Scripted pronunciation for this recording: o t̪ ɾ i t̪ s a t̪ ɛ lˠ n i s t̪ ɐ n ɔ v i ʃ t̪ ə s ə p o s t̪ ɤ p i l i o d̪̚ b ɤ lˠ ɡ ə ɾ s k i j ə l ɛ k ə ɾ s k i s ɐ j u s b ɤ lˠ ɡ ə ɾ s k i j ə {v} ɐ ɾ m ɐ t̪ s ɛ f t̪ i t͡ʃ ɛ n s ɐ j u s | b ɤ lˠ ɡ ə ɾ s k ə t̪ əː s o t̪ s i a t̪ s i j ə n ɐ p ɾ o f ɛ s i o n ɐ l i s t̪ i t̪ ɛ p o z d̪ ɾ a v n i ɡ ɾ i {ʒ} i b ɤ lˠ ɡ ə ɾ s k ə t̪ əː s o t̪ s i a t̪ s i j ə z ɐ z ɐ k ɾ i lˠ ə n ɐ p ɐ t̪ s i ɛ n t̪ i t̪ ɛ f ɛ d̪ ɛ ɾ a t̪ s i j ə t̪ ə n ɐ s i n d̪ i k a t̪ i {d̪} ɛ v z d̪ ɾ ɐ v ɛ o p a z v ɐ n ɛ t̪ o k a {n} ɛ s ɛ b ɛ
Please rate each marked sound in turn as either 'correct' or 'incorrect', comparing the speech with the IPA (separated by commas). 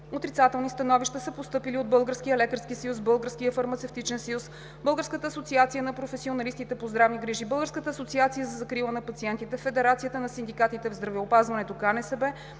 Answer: incorrect, correct, incorrect, correct